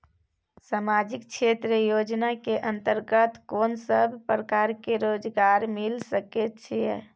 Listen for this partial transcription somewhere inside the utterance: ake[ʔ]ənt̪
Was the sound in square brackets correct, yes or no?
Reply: yes